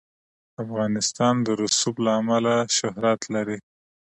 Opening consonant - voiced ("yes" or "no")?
no